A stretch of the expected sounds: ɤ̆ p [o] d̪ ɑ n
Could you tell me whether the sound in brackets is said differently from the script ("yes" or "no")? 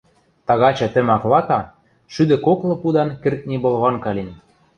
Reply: yes